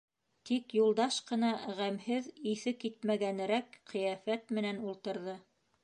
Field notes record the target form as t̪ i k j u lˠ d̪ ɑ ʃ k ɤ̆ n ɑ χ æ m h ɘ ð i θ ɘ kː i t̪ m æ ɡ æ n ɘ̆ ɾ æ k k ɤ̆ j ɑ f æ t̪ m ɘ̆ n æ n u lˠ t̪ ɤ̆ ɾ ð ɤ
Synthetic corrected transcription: t̪ i k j u lˠ d̪ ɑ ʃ q ɤ̆ n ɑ ʁ æ m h ɘ ð i θ ɘ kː i t̪ m æ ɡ æ n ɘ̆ ɾ æ k q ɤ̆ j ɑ f æ t̪ m ɘ̆ n æ n u lˠ t̪ ɤ̆ ɾ ð ɤ